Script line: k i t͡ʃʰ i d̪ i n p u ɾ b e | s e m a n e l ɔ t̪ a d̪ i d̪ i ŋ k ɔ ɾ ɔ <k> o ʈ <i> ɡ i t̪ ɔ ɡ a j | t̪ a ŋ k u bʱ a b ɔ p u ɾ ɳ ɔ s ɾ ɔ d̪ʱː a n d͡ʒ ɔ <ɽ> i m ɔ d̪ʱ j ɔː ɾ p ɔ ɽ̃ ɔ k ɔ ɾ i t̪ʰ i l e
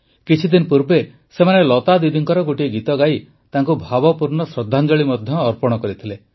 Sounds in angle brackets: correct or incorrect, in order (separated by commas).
incorrect, correct, incorrect